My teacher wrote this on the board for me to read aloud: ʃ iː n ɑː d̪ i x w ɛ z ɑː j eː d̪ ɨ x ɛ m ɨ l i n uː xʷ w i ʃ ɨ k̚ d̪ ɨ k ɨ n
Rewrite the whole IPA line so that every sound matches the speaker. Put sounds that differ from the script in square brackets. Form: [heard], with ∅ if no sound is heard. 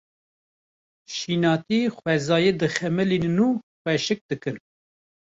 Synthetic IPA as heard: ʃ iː n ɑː [t̪] i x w ɛ z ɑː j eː d̪ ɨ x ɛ m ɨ l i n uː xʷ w [ɛ] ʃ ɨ k̚ d̪ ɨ k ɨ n